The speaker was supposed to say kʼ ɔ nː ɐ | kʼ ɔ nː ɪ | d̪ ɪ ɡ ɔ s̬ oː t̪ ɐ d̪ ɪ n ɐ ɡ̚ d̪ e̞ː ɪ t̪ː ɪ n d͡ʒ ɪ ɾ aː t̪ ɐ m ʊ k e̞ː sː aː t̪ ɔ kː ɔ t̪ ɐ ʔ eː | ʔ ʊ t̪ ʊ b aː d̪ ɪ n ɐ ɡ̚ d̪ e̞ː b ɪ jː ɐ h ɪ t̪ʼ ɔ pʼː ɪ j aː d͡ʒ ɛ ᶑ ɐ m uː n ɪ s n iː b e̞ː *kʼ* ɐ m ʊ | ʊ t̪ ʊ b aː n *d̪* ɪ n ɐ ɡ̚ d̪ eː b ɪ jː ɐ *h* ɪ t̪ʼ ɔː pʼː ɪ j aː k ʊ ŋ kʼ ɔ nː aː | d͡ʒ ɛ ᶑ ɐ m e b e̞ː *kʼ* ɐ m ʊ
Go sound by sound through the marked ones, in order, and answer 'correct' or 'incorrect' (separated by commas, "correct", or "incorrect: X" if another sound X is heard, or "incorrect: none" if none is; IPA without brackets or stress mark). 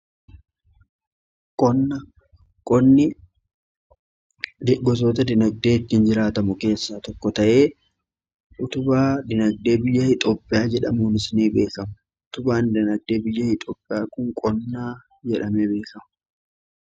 incorrect: k, correct, correct, incorrect: k